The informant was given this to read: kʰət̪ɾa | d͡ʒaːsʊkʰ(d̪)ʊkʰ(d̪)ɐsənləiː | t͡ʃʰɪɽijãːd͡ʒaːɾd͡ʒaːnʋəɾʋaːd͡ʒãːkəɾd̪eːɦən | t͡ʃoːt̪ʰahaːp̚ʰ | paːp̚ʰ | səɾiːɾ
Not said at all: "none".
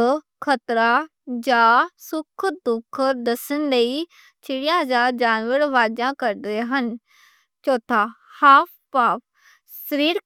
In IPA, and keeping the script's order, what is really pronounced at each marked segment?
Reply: d̪, d̪

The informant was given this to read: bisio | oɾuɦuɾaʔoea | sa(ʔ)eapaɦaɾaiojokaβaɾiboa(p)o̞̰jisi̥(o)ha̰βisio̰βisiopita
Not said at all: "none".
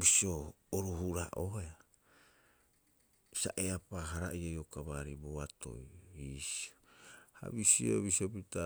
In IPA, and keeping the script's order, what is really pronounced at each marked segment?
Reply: ʔ, t, o

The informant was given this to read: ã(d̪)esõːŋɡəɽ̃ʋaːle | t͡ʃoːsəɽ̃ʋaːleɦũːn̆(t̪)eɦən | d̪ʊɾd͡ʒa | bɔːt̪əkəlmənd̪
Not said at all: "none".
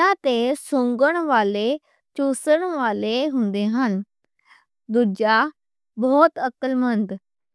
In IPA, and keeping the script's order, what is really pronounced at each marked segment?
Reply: t̪, d̪

